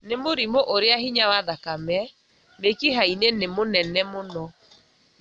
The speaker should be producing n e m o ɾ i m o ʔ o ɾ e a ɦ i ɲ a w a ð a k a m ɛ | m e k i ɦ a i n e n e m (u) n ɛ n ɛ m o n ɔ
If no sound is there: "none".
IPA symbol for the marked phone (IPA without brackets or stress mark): o